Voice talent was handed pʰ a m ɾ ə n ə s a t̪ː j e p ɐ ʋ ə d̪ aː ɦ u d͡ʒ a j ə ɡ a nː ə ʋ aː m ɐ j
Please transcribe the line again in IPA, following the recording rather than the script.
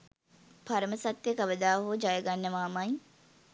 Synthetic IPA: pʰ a ɾ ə m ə s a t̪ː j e k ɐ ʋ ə d̪ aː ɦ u d͡ʒ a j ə ɡ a nː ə ʋ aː m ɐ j